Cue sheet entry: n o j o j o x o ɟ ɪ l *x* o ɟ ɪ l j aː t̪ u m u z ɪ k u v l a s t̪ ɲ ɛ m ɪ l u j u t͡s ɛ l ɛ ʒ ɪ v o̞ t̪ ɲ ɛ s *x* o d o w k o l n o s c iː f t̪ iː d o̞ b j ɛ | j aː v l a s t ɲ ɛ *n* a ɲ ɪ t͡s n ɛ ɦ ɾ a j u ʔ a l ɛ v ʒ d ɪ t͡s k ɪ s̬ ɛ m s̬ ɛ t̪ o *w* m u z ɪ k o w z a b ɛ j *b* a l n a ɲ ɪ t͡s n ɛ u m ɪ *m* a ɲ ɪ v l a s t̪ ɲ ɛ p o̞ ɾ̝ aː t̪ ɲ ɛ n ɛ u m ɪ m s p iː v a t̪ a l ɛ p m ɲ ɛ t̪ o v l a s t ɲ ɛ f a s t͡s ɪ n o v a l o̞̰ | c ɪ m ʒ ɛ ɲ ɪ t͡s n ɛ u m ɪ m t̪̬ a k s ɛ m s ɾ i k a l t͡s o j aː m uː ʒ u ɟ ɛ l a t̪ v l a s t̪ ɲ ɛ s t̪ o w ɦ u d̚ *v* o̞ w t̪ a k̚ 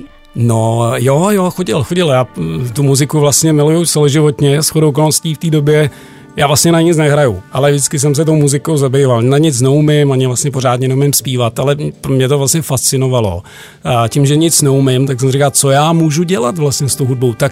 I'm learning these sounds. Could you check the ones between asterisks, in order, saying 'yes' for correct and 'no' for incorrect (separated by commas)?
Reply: yes, yes, yes, yes, no, yes, no